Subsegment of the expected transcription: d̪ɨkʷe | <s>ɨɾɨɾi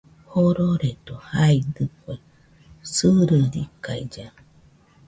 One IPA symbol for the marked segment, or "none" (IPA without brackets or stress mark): s